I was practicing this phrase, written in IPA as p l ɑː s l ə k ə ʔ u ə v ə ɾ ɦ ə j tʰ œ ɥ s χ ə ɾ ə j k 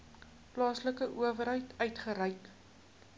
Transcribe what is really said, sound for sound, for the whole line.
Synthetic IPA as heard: p l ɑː s l ə k ə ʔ u ə v ə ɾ ɦ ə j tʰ œ ɥ t χ ə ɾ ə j k